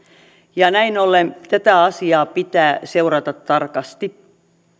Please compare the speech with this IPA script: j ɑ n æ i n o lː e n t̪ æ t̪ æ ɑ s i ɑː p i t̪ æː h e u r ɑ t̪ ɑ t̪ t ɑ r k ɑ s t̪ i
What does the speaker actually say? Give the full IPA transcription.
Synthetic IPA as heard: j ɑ n æ i n o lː e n t̪ æ t̪ æ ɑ s i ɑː p i t̪ æː s e u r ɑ t̪ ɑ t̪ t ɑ r k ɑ s t̪ i